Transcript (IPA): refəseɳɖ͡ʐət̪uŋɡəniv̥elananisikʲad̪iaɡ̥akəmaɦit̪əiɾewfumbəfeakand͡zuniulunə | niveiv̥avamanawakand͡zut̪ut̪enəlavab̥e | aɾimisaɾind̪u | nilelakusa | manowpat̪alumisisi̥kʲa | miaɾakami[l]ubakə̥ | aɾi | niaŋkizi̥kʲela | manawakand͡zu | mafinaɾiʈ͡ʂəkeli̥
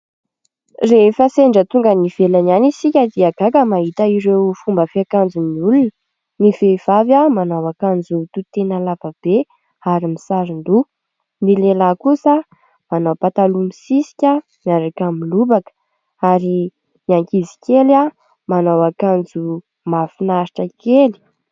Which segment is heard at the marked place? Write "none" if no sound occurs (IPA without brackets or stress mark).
l